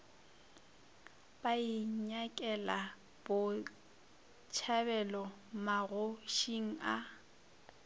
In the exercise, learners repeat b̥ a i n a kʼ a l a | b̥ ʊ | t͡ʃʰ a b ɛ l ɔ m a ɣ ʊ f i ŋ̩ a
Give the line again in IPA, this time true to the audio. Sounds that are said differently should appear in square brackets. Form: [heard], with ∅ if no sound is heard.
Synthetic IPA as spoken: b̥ a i [ɲ] a kʼ [ɛ] l a | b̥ ʊ | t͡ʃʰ a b ɛ l ɔ m a ɣ ʊ [ʃ] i ŋ̩ a